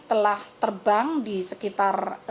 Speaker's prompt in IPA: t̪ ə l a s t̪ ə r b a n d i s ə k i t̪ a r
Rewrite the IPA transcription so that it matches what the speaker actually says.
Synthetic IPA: t̪ ə l a h t̪ ə r b a ŋ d i s ə k i t̪ a r